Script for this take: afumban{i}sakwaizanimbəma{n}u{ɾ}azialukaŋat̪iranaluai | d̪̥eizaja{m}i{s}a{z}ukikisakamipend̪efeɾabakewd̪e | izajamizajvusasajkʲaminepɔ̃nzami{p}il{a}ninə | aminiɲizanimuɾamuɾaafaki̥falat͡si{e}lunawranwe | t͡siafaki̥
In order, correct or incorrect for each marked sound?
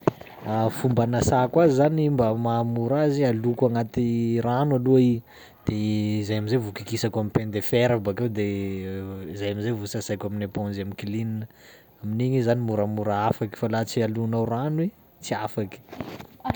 incorrect, incorrect, correct, correct, incorrect, incorrect, incorrect, incorrect, incorrect

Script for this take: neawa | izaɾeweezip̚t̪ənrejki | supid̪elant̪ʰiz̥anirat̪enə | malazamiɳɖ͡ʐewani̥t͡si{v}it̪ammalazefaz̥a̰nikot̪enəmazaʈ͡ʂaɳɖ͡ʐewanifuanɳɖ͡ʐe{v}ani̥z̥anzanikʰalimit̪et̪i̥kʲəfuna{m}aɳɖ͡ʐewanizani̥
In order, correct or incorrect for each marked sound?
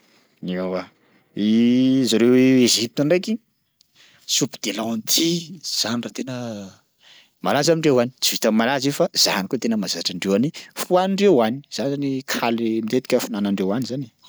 correct, incorrect, incorrect

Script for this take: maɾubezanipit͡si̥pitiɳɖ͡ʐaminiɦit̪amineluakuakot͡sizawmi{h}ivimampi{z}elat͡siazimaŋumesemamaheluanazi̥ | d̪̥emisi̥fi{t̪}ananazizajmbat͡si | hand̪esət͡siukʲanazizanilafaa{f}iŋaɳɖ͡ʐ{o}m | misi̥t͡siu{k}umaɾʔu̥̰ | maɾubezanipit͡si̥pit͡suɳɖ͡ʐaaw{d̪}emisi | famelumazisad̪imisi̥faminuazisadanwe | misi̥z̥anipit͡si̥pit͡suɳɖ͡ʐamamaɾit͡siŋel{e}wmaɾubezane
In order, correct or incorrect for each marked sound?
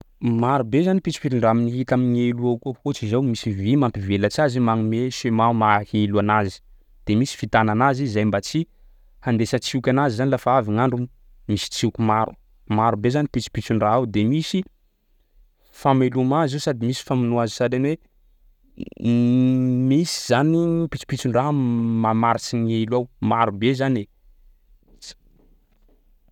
incorrect, incorrect, correct, incorrect, incorrect, correct, correct, incorrect

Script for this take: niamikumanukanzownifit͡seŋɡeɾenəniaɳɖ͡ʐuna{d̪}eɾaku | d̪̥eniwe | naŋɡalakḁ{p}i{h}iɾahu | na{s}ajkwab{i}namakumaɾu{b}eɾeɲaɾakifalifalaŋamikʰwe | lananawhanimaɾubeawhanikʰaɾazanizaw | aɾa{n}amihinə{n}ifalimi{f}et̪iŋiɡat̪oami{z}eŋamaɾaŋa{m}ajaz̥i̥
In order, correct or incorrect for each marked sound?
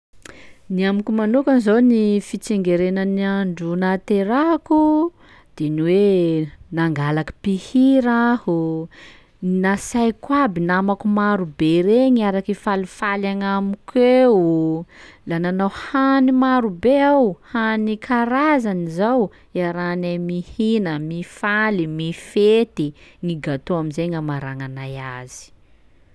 incorrect, correct, correct, correct, correct, correct, correct, incorrect, correct, correct, incorrect

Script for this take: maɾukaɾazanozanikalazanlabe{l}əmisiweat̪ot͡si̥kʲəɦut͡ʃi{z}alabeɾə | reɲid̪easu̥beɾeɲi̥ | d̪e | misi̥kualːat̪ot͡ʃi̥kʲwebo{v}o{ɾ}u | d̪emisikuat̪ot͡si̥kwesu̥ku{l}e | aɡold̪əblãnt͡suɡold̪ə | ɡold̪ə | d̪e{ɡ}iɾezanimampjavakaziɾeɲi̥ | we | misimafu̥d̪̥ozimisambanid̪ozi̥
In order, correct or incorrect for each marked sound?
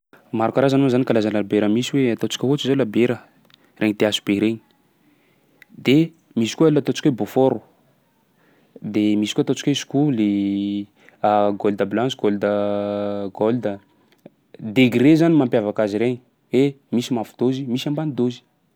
incorrect, correct, incorrect, correct, correct, correct

